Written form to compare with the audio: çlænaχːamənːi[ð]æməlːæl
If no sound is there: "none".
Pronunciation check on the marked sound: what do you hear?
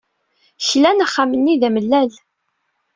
ð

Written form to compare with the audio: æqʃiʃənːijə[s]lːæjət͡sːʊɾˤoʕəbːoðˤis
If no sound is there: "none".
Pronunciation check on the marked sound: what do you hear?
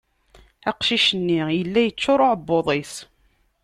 none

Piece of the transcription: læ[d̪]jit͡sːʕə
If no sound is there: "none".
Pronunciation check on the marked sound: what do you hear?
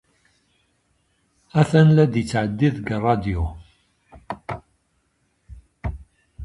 d̪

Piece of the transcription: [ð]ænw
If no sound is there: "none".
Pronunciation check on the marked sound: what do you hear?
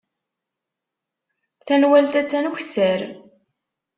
θ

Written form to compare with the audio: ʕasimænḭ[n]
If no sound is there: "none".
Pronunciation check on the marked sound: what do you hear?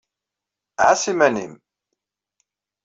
m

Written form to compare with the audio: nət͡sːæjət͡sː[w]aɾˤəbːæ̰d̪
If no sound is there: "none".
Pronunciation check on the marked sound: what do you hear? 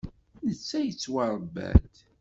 w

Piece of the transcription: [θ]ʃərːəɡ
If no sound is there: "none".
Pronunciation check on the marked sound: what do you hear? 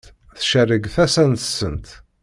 θ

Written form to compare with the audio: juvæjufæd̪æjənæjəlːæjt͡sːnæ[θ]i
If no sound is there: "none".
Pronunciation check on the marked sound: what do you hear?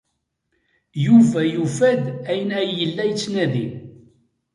ð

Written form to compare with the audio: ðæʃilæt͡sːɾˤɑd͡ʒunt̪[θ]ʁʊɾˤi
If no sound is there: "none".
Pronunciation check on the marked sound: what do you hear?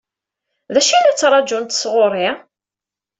s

